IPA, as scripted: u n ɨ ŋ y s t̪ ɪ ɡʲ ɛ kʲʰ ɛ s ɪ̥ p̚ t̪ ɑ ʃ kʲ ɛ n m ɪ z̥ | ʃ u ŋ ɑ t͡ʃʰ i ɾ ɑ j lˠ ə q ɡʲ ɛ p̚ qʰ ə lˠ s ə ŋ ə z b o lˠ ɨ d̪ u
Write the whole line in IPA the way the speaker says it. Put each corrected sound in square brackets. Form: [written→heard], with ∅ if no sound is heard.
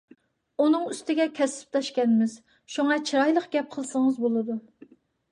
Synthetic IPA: u n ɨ ŋ y s t̪ ɪ ɡʲ ɛ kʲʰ ɛ s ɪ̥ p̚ t̪ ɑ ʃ kʲ ɛ n m ɪ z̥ | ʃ u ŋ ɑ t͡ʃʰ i ɾ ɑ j lˠ ə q ɡʲ ɛ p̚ qʰ ə lˠ s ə ŋ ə z b o lˠ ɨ d̪ u